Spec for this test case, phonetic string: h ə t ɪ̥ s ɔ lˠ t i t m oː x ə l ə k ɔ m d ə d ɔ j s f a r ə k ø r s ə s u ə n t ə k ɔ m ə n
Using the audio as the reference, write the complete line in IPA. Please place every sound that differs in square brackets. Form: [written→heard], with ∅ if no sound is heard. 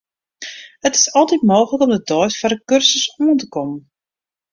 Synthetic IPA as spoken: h ə t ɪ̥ s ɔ lˠ t i t m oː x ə l ə k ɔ m d ə d ɔ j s f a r ə k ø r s ə s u ə n t ə k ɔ m ə n